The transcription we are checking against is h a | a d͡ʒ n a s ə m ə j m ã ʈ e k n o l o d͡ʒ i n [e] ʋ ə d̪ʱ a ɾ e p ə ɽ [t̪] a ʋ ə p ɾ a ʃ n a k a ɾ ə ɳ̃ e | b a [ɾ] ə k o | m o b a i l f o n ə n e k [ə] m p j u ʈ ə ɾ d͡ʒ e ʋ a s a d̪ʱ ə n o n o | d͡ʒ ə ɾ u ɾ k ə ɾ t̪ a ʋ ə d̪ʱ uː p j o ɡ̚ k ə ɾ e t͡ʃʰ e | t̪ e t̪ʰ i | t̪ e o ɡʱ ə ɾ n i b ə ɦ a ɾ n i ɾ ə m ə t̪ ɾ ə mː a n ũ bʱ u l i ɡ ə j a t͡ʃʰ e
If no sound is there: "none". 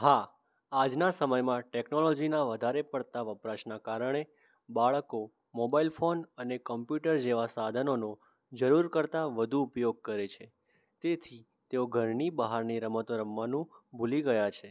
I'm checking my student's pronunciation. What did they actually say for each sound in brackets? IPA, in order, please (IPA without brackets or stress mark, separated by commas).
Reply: a, t̪, ɭ, ə